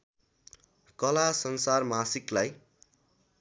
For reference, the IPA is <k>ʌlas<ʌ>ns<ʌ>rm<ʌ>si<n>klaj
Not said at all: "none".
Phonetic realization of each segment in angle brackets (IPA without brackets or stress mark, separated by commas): k, ʌ, a, a, none